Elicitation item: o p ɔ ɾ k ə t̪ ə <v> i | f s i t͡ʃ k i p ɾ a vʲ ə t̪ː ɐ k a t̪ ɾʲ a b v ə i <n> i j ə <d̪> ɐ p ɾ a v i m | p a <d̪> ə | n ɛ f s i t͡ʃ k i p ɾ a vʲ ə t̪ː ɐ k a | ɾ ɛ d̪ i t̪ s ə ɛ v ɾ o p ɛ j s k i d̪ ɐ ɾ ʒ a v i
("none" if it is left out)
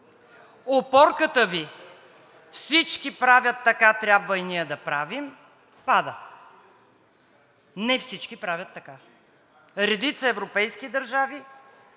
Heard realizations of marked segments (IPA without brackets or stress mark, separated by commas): v, n, d̪, d̪